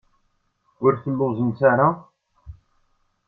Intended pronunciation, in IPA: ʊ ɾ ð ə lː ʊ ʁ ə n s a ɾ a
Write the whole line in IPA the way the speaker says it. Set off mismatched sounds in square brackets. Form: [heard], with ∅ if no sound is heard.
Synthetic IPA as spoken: ʊ ɾ [θ] ə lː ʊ [z] ə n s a ɾ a